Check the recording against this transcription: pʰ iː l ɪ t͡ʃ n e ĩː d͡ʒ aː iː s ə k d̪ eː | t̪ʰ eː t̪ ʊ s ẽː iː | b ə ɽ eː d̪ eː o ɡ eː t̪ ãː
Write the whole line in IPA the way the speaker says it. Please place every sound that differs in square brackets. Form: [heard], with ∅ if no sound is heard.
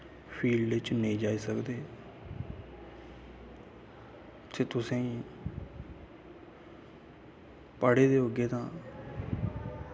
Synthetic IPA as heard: pʰ iː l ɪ t͡ʃ n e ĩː d͡ʒ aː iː s ə k d̪ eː | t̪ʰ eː t̪ ʊ s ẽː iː | [p] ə ɽ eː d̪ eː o ɡ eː t̪ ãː